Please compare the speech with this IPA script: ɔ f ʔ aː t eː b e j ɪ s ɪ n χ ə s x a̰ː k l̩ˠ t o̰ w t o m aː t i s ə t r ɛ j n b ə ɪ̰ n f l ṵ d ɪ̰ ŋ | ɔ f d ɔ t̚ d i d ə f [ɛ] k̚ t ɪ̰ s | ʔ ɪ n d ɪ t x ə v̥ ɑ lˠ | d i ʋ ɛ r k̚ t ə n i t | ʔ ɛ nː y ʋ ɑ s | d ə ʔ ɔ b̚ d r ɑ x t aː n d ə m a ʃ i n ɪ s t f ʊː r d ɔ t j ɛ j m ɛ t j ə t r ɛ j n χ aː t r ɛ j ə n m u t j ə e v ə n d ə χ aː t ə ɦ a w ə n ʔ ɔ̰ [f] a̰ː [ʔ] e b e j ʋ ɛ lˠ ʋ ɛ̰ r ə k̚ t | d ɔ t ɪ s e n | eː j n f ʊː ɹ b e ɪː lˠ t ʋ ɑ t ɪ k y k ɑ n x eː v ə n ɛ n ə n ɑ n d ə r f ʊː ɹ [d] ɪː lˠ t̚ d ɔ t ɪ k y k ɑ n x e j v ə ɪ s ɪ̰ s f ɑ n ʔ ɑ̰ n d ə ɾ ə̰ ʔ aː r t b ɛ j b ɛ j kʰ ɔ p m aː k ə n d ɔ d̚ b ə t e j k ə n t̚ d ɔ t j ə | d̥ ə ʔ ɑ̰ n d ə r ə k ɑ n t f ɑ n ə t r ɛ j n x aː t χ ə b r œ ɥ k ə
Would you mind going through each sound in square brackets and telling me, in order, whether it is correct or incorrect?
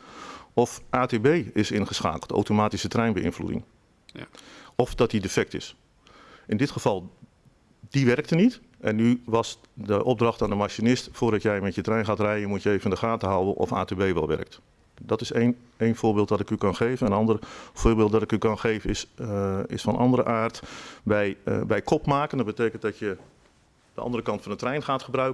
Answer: correct, correct, incorrect, incorrect

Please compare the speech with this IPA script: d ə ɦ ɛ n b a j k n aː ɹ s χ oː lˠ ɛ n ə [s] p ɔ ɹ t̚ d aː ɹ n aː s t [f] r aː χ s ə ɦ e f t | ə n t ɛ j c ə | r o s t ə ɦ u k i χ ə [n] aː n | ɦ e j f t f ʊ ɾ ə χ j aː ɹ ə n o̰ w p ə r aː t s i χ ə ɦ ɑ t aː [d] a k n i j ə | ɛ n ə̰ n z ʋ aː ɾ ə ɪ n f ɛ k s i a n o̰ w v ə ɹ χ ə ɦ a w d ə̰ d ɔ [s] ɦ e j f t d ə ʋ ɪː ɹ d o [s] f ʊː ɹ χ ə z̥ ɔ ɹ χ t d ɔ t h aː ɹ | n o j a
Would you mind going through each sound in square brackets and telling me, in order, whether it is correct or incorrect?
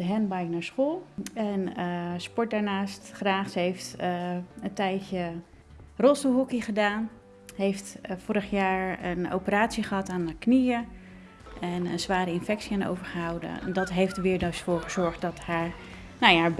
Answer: correct, incorrect, incorrect, incorrect, incorrect, correct

